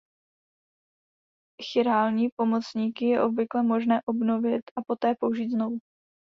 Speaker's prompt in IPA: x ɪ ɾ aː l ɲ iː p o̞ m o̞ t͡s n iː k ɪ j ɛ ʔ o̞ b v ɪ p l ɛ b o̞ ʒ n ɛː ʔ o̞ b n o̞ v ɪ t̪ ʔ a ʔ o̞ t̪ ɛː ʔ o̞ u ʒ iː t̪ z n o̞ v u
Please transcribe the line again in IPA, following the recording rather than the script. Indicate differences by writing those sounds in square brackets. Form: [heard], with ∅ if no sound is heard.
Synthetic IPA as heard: x ɪ ɾ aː l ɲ iː p o̞ m o̞ t͡s [ɲ] iː k ɪ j ɛ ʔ o̞ b v ɪ [k] l ɛ [m] o̞ ʒ n ɛː ʔ o̞ b n o̞ v ɪ t̪ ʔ a [p] o̞ t̪ ɛː [p] o̞ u ʒ iː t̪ z n o̞ v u